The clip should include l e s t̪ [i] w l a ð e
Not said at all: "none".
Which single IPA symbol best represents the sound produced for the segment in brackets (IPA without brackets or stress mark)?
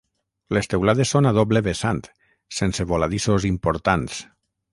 e